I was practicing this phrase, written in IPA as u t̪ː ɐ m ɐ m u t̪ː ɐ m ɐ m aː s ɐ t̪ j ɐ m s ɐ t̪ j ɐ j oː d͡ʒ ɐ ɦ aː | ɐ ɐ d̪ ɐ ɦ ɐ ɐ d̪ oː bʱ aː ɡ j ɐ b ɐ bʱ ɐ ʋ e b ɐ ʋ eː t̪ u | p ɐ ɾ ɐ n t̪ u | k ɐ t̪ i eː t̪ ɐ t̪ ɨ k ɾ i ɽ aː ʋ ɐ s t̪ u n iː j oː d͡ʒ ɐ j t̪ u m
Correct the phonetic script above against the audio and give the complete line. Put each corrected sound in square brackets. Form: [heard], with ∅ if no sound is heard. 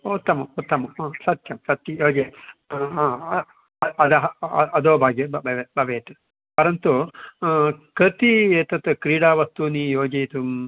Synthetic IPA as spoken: u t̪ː ɐ m ɐ m u t̪ː ɐ m ɐ m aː s ɐ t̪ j ɐ m s ɐ t̪ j ɐ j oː d͡ʒ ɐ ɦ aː | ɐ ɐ d̪ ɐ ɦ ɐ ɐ d̪ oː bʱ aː ɡ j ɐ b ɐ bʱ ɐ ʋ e b ɐ ʋ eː t̪ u | p ɐ ɾ ɐ n t̪ u | k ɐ t̪ i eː t̪ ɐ t̪ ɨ k ɾ [iː] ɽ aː ʋ ɐ s t̪ u n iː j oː d͡ʒ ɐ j t̪ u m